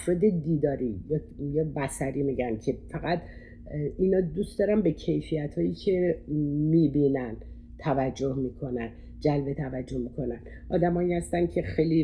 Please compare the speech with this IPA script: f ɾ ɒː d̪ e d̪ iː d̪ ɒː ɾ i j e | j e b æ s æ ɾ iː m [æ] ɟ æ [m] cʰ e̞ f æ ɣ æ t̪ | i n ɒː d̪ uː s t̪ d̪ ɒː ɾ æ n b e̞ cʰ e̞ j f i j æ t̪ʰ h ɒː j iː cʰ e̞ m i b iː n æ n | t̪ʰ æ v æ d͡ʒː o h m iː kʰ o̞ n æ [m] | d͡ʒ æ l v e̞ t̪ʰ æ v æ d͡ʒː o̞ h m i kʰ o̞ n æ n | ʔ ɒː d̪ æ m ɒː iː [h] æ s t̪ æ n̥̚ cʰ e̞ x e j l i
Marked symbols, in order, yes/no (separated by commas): no, no, no, yes